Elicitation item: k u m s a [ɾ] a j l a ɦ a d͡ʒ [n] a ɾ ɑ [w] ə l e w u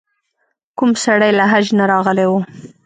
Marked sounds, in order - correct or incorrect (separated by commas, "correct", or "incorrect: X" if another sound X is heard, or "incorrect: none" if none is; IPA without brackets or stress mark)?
incorrect: ɽ, correct, incorrect: ɣ